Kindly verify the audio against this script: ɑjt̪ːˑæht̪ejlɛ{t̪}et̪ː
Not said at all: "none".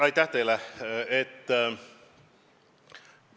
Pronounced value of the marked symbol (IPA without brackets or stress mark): none